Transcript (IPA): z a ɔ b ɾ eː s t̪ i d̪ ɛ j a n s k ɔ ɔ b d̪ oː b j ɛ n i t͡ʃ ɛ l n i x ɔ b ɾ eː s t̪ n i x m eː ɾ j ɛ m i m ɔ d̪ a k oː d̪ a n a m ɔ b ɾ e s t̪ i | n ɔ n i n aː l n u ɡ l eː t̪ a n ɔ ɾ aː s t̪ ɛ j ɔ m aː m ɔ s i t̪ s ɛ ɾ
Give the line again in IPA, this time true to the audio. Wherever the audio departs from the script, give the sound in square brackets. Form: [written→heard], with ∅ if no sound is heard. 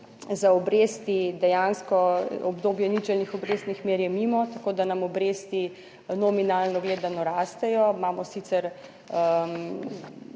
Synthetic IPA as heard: z a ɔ b ɾ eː s t̪ i d̪ ɛ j a n s k ɔ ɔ b d̪ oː b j ɛ n i t͡ʃ ɛ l n i x ɔ b ɾ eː s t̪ n i x m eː ɾ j ɛ m i m ɔ [d̪→t̪] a k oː d̪ a n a m ɔ b ɾ e s t̪ i | n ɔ [n→m] i n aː l n [u→ɔ] ɡ l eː [t̪→d̪] a n ɔ ɾ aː s t̪ ɛ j ɔ m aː m ɔ s i t̪ s ɛ ɾ